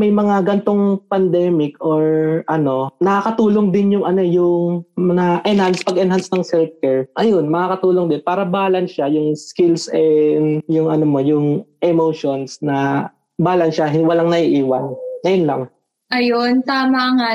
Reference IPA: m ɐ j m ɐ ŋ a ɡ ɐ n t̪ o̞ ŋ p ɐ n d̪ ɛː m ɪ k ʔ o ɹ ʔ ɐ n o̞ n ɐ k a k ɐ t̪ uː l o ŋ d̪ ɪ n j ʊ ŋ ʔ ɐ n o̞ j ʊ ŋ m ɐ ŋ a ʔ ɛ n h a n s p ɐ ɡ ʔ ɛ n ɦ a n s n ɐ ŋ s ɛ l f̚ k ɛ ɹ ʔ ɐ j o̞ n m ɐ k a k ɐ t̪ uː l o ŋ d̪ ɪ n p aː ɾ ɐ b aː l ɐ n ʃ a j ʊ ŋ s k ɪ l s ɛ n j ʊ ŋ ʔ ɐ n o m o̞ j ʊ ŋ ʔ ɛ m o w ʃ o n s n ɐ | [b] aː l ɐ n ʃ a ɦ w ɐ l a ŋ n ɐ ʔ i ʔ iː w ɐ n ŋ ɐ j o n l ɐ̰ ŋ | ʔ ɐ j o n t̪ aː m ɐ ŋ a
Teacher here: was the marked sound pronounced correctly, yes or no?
yes